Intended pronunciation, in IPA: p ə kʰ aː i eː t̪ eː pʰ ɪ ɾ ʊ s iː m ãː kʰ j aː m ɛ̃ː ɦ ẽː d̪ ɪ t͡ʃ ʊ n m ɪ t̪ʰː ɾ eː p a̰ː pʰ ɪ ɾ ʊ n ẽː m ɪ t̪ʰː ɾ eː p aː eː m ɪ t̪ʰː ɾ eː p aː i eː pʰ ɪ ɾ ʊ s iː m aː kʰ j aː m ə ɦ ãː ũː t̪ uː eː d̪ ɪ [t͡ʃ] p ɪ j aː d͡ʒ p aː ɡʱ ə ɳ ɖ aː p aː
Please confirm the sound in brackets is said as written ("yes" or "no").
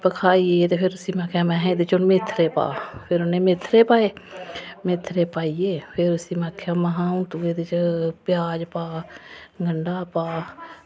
yes